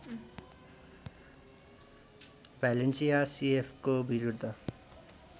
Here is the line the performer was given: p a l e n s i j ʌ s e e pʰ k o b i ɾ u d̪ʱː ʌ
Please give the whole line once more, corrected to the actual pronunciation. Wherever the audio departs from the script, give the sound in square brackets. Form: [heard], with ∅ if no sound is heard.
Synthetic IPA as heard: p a l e n s i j [a] s [i] e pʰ k o b i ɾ u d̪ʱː ʌ